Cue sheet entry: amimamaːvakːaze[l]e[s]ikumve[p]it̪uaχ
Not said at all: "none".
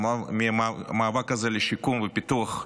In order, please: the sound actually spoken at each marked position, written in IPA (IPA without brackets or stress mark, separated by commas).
l, ʃ, p